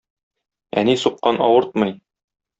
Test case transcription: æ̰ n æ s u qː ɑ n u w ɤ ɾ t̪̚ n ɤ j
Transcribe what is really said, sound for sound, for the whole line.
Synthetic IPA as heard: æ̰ n i s u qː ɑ n ɒ w ɤ ɾ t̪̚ m ɤ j